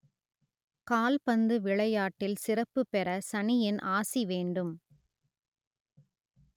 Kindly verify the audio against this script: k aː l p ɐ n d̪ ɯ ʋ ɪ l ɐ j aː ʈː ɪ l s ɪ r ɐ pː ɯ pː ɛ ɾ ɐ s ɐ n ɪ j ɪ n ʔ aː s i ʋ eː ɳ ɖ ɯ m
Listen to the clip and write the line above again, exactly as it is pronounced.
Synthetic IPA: k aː l p ɐ n d̪ ɯ ʋ ɪ ɭ ɐ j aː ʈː ɪ l s ɪ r ɐ pː ɯ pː ɛ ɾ ɐ s ɐ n ɪ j ɪ n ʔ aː s i ʋ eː ɳ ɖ ɯ m

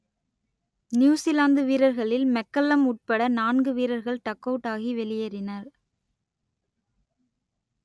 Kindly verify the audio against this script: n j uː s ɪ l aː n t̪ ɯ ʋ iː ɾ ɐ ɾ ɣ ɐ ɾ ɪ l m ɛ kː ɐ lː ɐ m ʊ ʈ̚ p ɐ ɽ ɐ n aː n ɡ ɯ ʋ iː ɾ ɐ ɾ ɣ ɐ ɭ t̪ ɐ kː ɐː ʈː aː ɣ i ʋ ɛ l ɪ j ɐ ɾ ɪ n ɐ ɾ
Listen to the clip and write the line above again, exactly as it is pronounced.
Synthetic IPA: n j uː s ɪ l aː n d̪ ɯ ʋ iː ɾ ɐ ɾ ɣ ɐ ɭ ɪ l m ɛ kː ɐ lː ɐ m ʊ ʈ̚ p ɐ ɽ ɐ n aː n ɡ ɯ ʋ iː ɾ ɐ ɾ ɣ ɐ ɭ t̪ ɐ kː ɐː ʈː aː ɣ i ʋ ɛ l ɪ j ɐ ɾ ɪ n ɐ ɾ

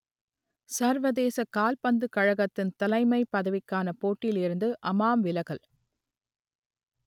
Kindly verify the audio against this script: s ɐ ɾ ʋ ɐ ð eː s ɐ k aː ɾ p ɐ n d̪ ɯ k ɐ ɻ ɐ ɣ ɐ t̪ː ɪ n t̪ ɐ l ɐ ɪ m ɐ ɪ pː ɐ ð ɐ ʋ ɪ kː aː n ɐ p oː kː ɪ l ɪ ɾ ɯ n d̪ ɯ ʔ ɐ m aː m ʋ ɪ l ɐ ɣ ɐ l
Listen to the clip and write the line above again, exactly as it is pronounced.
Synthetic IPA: s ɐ ɾ ʋ ɐ ð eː s ɐ k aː l p ɐ n d̪ ɯ k ɐ ɻ ɐ ɣ ɐ t̪ː ɪ n t̪ ɐ l ɐ ɪ m ɐ ɪ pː ɐ ð ɐ ʋ ɪ kː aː n ɐ p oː ʈː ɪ l ɪ ɾ ɯ n d̪ ɯ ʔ ɐ m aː m ʋ ɪ l ɐ ɣ ɐ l

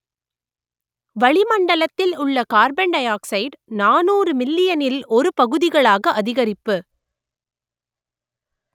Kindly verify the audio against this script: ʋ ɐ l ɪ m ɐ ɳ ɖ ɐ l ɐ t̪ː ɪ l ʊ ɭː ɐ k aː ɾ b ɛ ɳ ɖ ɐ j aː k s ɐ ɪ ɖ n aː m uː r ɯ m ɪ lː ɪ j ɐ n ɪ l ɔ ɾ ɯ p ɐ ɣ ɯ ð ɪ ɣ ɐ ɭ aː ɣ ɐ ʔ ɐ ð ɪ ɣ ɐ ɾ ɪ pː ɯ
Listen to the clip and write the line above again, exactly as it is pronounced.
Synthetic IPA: ʋ ɐ ɭ ɪ m ɐ ɳ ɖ ɐ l ɐ t̪ː ɪ l ʊ ɭː ɐ k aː ɾ b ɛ ɳ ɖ ɐ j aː k s ɐ ɪ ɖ n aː n uː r ɯ m ɪ lː ɪ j ɐ n ɪ l ɔ ɾ ɯ p ɐ ɣ ɯ ð ɪ ɣ ɐ ɭ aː ɣ ɐ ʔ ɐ ð ɪ ɣ ɐ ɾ ɪ pː ɯ

